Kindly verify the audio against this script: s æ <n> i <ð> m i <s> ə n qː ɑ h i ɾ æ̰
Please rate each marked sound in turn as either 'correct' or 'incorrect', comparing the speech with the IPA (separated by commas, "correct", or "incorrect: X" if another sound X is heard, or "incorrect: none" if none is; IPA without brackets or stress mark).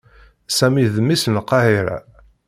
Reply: incorrect: m, correct, correct